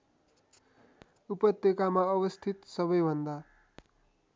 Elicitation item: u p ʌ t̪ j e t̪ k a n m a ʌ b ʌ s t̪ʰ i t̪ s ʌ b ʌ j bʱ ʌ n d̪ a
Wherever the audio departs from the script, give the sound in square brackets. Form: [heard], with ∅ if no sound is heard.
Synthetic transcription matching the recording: u p ʌ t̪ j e [∅] k a [∅] m a ʌ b ʌ s t̪ʰ i t̪ s ʌ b ʌ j bʱ ʌ n d̪ a